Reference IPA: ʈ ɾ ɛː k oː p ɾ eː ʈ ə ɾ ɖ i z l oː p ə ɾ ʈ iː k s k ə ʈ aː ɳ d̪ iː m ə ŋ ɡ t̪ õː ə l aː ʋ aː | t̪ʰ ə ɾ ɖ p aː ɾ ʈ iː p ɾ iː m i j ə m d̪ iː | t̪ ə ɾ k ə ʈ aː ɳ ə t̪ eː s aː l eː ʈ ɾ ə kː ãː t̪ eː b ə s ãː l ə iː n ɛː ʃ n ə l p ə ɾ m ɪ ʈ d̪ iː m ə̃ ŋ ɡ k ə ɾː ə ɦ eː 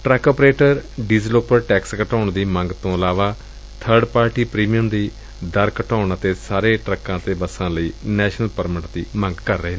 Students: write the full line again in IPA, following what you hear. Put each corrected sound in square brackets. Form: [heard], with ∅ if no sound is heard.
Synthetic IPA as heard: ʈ ɾ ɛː k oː p ɾ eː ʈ ə ɾ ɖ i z l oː p ə ɾ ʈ [ɛː] k s k ə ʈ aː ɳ d̪ iː m ə ŋ ɡ t̪ õː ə l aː ʋ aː | t̪ʰ ə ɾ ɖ p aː ɾ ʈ iː p ɾ iː m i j ə m d̪ iː | [d̪] ə ɾ k ə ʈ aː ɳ ə t̪ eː s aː [ɾ] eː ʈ ɾ ə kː ãː t̪ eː b ə s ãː l ə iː n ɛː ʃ n ə l p ə ɾ m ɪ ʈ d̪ iː m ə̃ ŋ ɡ k ə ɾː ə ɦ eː